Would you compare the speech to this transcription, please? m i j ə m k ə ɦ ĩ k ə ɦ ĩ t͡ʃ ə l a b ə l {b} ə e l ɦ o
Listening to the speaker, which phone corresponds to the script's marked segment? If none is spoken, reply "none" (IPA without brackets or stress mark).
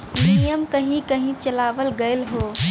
ɡ